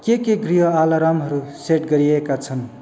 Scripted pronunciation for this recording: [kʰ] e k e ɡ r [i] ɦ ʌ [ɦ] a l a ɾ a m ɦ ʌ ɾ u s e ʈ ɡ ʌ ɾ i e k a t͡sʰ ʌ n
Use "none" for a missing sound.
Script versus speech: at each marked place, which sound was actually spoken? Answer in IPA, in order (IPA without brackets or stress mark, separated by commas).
k, i, none